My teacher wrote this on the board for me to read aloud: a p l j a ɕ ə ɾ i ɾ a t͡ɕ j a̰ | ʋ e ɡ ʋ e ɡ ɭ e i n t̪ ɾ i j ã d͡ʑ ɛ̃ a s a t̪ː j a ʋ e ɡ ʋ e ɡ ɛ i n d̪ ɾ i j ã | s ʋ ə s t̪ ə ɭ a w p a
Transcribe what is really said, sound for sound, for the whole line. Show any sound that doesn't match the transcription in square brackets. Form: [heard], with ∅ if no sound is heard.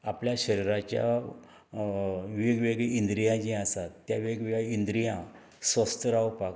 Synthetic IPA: a p l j a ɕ ə ɾ i ɾ a t͡ɕ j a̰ | ʋ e ɡ ʋ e ɡ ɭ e i n [d̪] ɾ i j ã d͡ʑ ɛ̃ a s a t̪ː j a ʋ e ɡ ʋ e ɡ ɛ i n d̪ ɾ i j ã | s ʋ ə s t̪ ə [ɾ] a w p a